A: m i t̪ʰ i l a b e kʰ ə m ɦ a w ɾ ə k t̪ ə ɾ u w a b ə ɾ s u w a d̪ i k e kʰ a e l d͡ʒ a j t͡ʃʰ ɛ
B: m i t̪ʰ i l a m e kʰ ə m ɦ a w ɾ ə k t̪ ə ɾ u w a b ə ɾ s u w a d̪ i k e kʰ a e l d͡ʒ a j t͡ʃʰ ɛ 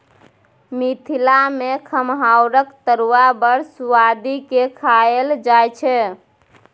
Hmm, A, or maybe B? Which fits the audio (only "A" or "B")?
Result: B